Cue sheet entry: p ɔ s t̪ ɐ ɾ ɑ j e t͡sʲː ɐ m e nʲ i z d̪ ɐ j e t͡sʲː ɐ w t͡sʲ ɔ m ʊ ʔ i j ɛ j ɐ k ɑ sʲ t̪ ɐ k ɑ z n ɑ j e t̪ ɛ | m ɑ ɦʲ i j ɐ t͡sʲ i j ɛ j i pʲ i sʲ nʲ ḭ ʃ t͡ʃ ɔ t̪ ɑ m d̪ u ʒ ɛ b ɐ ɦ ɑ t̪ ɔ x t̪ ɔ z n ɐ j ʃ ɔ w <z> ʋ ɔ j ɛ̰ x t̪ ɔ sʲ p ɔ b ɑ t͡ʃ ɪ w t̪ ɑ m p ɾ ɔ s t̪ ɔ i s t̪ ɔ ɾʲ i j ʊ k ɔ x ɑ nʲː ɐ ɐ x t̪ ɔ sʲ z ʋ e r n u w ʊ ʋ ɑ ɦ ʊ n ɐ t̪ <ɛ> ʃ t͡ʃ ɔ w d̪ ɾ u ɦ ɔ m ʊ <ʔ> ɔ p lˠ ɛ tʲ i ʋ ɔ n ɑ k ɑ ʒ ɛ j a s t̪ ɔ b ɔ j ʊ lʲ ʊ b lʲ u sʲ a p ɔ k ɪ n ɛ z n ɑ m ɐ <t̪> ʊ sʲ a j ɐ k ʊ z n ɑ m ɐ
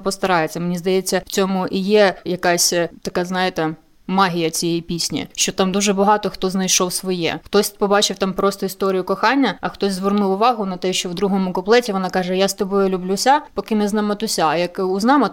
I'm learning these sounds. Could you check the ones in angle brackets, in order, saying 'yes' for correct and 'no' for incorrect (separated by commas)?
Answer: no, yes, no, yes